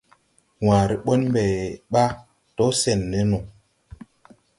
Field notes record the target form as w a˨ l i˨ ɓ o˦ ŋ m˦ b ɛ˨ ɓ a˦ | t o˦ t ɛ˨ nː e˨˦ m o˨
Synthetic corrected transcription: w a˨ ɾ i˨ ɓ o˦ n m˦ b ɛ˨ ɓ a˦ | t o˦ s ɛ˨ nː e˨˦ n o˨